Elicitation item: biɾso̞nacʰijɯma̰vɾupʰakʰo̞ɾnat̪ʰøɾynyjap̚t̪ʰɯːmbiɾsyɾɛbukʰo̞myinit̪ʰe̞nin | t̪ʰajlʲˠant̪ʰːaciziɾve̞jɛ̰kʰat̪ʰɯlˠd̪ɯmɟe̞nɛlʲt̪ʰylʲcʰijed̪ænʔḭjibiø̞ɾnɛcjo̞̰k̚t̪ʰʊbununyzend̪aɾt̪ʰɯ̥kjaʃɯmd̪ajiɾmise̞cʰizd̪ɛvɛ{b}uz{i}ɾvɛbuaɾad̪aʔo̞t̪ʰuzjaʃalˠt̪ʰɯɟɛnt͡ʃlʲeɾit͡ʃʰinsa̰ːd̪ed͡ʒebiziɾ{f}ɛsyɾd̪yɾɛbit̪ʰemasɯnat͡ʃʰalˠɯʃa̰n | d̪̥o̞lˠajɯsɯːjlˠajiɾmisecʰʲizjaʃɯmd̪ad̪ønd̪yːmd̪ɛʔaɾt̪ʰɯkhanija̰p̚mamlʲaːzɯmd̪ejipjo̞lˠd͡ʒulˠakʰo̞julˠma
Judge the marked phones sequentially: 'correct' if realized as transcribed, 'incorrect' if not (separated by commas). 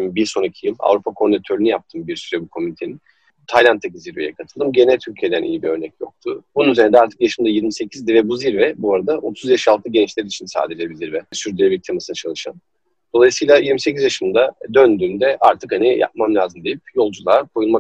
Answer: correct, correct, incorrect